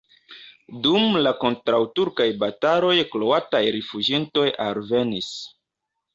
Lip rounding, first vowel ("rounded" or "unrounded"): rounded